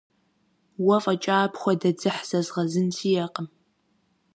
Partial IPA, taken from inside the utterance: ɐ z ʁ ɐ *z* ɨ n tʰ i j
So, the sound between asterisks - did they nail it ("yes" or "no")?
yes